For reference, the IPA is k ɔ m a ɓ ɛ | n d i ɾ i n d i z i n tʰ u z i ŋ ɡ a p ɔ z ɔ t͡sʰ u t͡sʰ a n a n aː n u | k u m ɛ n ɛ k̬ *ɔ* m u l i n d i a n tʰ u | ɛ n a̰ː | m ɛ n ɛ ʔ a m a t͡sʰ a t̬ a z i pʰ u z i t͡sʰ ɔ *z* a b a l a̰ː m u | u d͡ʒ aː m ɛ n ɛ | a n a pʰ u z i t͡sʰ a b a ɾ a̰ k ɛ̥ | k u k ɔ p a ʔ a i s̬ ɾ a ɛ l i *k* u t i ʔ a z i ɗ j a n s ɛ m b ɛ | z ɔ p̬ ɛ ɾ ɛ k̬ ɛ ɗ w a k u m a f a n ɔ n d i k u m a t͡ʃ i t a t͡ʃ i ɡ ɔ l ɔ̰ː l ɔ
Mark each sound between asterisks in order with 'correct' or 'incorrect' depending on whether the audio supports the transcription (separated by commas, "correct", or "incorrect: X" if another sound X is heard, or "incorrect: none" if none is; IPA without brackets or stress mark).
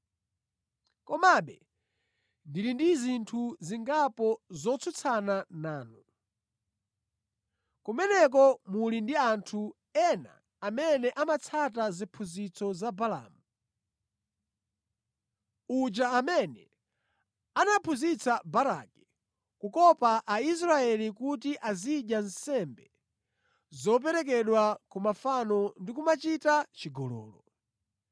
correct, correct, correct